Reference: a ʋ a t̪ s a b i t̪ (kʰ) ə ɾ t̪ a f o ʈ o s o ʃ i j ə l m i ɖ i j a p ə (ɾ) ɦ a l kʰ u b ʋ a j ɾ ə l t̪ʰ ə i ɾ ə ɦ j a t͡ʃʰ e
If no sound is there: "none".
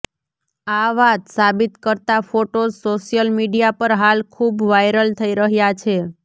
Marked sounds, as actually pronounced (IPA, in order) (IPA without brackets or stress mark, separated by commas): k, ɾ